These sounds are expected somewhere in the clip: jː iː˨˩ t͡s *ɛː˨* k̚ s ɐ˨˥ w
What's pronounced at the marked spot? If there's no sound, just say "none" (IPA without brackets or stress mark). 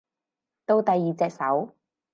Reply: ɛː˨